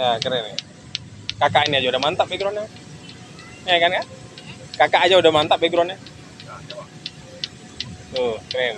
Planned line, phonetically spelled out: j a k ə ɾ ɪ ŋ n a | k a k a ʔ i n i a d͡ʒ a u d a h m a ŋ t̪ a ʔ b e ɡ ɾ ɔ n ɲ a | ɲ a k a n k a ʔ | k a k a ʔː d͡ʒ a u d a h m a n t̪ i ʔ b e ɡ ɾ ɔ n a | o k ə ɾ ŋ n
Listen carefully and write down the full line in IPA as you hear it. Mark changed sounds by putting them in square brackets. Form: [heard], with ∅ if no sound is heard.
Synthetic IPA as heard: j a k ə ɾ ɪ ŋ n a | k a k a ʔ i n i a d͡ʒ a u d a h m a [n] t̪ a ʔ b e ɡ ɾ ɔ n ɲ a | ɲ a k a n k a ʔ | k a k a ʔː d͡ʒ a u d a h m a n t̪ [a] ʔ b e ɡ ɾ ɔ n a | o k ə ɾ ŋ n